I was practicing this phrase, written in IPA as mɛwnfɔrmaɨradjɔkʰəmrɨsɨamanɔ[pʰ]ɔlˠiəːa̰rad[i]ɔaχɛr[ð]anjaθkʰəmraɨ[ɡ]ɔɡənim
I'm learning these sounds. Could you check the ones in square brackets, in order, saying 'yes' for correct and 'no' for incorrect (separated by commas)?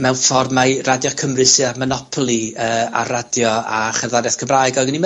yes, no, yes, yes